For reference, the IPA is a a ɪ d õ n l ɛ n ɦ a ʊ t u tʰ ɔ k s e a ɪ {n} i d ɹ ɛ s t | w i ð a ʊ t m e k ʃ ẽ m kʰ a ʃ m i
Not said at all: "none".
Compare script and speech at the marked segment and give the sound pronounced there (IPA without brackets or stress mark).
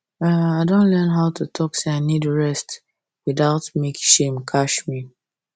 n